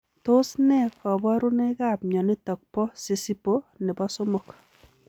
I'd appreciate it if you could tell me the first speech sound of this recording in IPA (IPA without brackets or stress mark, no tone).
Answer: t